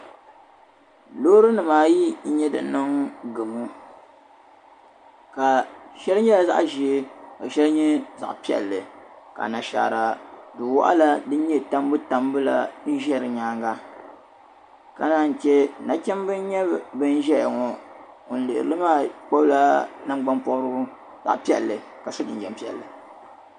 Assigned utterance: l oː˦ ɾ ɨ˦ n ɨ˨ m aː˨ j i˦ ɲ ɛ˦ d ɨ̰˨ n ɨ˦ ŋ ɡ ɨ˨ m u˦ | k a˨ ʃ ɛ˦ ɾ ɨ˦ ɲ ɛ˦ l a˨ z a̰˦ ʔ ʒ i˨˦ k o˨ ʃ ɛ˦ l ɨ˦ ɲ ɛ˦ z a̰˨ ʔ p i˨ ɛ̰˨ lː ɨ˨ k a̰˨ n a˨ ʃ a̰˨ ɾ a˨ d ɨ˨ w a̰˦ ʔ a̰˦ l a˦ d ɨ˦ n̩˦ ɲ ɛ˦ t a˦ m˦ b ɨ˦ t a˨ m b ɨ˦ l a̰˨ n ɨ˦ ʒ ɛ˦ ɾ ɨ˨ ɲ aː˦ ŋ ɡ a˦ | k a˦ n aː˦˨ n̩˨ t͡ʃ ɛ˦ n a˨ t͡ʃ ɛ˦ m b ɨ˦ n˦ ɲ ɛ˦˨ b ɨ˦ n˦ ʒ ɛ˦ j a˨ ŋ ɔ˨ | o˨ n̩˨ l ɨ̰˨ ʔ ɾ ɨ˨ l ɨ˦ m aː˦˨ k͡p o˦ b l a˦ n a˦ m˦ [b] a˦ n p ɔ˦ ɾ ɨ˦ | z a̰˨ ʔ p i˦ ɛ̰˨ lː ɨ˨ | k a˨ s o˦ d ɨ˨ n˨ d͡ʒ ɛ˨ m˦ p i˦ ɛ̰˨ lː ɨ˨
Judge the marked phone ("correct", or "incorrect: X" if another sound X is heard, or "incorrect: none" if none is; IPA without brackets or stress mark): incorrect: ɡ͡b